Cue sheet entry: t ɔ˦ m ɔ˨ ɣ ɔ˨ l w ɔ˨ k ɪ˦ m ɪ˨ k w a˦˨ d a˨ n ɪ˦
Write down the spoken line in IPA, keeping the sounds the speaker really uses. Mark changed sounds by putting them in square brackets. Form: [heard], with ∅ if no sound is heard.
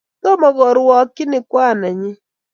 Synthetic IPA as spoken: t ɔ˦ m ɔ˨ ɣ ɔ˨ [ɾ] w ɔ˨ k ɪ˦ [n] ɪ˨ k w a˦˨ [n] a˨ [ɲ] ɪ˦